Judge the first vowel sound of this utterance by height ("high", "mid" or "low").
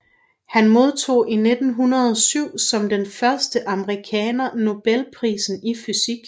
low